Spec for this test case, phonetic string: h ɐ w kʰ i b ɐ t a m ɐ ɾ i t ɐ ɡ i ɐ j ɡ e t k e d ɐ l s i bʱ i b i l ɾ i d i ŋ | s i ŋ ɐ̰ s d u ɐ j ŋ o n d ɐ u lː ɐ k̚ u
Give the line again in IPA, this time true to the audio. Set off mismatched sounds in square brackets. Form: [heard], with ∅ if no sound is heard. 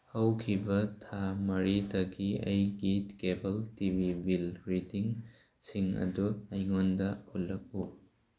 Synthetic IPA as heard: h ɐ w kʰ i b ɐ [tʰ] a m ɐ ɾ i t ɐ ɡ i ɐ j ɡ [i] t k e [b] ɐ l [t] i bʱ i b i l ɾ i d i ŋ | s i ŋ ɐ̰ [∅] d u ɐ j ŋ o n d ɐ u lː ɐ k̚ u